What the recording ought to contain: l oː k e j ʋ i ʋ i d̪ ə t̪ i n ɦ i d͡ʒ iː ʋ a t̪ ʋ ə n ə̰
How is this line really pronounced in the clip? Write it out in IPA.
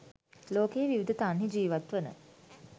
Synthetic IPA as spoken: l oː k e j ʋ i ʋ i d̪ ə t̪ a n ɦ i d͡ʒ iː ʋ a t̪ ʋ ə n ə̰